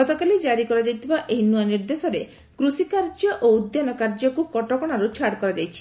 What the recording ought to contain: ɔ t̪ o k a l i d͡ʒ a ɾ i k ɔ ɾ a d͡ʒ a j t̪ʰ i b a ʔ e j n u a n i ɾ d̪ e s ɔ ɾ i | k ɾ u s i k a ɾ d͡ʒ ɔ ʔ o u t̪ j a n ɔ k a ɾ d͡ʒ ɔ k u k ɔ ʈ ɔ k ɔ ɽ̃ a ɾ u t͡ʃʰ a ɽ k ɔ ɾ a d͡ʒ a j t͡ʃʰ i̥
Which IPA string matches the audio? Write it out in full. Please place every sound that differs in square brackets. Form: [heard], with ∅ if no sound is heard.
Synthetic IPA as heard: ɔ t̪ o k a l i d͡ʒ a ɾ i k ɔ ɾ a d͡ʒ a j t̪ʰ i b a ʔ e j n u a n i ɾ d̪ e s ɔ ɾ [e] | k ɾ u s i k a ɾ d͡ʒ ɔ ʔ o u [d̪] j a n ɔ k a ɾ d͡ʒ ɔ k u k ɔ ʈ ɔ k ɔ ɽ̃ a ɾ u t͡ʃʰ a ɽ k ɔ ɾ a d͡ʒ a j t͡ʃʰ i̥